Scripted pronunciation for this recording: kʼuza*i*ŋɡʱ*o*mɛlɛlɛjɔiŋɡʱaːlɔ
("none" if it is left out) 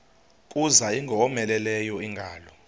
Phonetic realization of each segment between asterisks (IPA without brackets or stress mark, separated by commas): i, ɔ